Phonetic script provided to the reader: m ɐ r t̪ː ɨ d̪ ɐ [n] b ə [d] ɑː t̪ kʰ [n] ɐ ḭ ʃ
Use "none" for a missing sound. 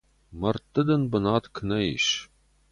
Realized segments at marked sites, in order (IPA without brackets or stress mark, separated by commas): n, n, n